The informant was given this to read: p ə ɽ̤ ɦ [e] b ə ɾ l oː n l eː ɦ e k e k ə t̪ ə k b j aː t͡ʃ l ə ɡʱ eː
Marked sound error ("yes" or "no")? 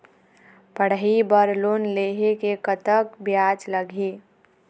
yes